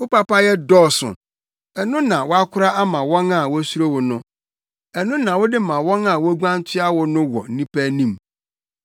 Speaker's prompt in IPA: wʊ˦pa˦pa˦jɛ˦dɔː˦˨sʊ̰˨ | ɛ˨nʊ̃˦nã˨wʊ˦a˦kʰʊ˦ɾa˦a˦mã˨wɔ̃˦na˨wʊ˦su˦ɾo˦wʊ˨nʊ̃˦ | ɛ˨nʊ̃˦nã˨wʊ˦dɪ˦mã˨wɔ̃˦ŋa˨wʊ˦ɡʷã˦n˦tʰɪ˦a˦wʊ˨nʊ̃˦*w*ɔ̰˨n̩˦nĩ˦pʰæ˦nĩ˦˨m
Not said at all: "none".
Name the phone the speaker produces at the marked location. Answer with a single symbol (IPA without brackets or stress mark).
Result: w